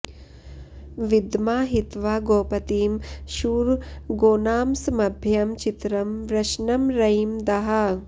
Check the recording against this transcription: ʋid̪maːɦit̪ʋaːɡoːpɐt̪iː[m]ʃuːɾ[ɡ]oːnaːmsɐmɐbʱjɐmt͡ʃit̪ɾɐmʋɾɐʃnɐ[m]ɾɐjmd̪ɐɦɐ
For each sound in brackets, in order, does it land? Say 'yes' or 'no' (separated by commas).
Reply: yes, yes, yes